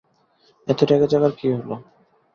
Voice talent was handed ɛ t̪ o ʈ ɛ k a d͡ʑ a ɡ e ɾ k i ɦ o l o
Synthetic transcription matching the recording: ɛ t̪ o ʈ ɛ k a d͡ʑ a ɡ a ɾ k i ɦ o l o